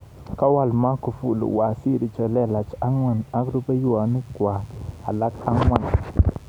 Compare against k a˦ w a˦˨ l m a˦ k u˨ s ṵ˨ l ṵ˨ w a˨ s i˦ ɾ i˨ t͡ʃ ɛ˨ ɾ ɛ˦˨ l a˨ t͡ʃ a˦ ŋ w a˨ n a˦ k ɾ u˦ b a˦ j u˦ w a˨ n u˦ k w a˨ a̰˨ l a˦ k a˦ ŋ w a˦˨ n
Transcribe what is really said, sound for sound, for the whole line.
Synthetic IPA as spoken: k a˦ w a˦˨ l m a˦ k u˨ f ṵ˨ l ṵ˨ w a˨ s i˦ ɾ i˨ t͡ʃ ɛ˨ l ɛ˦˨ l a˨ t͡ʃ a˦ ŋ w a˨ n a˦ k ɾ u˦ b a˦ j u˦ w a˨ n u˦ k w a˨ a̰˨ l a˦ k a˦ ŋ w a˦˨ n

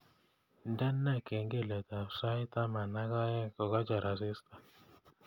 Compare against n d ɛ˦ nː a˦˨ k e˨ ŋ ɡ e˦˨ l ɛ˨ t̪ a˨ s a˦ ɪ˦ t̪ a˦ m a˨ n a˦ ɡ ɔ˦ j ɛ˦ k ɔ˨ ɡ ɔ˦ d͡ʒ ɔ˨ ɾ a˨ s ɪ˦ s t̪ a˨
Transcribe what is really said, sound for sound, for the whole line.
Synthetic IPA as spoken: n d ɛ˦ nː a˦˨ k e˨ ŋ ɡ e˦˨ l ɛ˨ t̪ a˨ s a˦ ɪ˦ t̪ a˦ m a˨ n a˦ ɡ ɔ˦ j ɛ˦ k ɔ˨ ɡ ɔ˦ d͡ʒ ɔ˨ ɾ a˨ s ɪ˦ s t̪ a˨

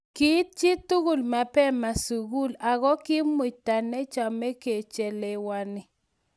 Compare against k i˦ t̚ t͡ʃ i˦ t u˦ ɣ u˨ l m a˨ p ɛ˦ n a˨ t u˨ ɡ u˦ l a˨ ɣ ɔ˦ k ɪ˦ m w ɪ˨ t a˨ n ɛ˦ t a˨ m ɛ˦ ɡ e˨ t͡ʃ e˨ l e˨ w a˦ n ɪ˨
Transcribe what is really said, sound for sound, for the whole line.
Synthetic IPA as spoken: k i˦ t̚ t͡ʃ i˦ t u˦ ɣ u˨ l m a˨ p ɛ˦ m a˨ s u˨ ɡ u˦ l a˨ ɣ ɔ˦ k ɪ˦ m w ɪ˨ t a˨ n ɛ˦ t͡ʃ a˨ m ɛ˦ k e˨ t͡ʃ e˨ l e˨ w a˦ n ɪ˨

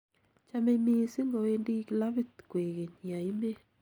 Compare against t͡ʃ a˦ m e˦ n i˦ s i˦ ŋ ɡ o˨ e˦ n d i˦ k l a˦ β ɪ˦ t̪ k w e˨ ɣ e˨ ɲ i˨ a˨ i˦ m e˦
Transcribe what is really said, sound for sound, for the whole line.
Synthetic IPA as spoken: t͡ʃ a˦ m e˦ m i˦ s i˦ ŋ ɡ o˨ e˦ n d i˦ k l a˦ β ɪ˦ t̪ k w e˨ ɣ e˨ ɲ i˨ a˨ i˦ m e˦

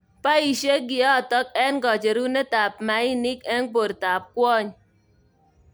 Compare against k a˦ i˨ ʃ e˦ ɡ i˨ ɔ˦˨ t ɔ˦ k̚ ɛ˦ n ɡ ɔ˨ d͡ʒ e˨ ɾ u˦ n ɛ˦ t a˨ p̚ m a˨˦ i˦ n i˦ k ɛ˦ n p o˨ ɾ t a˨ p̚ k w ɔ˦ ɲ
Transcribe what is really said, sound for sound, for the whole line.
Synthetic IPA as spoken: p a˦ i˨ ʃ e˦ ɡ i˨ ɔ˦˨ t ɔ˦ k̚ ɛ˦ n ɡ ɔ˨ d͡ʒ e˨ ɾ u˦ n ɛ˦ t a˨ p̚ m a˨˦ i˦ n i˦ k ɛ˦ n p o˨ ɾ t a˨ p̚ k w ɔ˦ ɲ

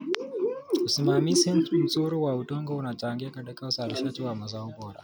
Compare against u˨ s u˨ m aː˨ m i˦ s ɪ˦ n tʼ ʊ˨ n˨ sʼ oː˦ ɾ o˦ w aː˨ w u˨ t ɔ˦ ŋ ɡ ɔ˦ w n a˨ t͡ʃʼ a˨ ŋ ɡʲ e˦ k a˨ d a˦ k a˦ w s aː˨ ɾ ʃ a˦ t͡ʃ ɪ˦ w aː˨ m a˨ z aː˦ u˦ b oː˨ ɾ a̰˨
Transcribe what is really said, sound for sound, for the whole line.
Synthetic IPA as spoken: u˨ s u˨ m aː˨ m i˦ s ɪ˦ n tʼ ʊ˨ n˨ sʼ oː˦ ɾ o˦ w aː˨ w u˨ t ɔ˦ ŋ ɡ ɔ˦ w n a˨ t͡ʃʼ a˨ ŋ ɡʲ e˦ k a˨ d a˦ k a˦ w s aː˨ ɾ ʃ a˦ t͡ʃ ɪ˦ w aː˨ m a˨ z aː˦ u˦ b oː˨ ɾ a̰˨

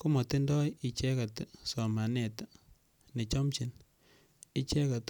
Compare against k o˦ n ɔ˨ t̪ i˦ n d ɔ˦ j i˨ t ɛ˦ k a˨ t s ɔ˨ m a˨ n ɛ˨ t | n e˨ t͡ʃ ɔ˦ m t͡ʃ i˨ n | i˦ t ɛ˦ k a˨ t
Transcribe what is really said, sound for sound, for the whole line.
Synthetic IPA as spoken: k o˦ m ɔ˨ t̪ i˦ n d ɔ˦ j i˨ t͡ʃ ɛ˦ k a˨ t s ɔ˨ m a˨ n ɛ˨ t | n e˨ t͡ʃ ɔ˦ m t͡ʃ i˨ n | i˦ t͡ʃ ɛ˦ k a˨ t

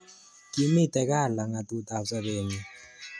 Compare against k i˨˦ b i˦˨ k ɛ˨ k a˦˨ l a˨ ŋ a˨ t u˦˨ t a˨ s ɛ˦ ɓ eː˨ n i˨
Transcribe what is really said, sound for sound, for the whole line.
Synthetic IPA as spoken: k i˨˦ m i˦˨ t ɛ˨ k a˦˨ l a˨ ŋ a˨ t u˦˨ t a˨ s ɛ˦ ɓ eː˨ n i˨

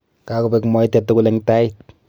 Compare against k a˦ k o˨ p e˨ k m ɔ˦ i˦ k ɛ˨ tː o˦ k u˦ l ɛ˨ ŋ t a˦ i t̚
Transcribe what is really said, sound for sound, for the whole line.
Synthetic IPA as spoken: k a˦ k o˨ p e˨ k m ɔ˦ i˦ t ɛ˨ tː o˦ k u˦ l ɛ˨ ŋ t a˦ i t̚

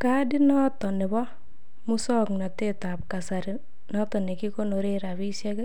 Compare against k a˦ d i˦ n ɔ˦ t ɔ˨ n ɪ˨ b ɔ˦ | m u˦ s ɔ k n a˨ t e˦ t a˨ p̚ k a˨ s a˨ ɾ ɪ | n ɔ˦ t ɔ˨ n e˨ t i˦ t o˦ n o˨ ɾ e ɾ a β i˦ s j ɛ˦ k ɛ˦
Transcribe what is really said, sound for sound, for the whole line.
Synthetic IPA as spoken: k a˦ d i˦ n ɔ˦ t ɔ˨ n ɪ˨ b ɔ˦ | m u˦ s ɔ k n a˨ t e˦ t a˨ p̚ k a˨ s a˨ ɾ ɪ | n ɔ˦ t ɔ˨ n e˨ k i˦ k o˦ n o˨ ɾ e ɾ a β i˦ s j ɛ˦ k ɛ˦

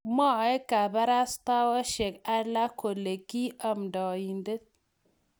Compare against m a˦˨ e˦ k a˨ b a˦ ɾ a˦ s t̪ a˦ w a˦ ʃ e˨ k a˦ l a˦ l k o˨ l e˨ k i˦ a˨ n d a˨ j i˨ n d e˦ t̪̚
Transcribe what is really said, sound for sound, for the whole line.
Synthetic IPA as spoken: m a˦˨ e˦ k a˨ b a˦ ɾ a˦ s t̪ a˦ w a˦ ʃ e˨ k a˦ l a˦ k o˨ l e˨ k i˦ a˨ m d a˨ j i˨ n d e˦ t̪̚

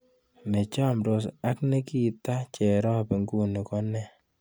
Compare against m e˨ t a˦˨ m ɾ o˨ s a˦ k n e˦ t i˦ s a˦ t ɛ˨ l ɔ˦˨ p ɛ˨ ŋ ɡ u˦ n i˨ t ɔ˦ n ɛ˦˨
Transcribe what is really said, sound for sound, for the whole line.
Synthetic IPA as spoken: m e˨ t͡ʃ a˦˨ m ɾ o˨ s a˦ k n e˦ k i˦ t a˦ t͡ʃ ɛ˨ ɾ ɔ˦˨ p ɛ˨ ŋ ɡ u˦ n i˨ k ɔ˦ n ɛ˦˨

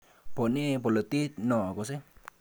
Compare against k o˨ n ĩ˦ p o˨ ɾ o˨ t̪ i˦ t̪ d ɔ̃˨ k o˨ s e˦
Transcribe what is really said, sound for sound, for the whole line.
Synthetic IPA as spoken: p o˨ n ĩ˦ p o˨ l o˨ t̪ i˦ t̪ n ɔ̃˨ k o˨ s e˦

